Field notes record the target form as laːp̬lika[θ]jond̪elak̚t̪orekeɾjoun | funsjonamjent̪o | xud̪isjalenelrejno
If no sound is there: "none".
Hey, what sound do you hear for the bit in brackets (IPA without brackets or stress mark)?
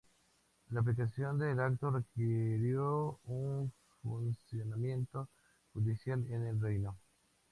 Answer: s